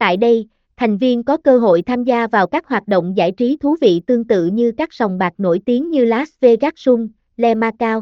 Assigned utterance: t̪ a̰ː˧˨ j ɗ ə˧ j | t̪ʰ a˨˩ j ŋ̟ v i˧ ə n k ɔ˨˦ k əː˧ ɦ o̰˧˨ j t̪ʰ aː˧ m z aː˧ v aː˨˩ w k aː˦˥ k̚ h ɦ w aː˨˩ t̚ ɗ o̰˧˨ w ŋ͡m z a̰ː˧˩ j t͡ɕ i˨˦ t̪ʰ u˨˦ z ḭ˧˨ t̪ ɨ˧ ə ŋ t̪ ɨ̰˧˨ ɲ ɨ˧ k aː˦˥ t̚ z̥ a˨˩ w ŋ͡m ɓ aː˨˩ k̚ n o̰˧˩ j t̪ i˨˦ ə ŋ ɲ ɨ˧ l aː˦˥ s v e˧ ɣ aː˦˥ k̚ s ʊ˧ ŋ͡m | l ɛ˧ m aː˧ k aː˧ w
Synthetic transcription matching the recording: t̪ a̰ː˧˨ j ɗ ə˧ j | t̪ʰ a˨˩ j ŋ̟ v i˧ ə n k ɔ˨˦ k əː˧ ɦ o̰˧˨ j t̪ʰ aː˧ m z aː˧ v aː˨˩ w k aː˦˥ k̚ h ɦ w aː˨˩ t̚ ɗ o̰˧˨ w ŋ͡m z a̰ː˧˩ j t͡ɕ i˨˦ t̪ʰ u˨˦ v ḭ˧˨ t̪ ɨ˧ ə ŋ t̪ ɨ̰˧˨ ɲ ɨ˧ k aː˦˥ k̚ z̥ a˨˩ w ŋ͡m ɓ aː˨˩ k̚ n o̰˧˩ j t̪ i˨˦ ə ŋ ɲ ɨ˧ l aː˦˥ s v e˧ ɣ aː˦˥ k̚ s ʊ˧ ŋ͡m | l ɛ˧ m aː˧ k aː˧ w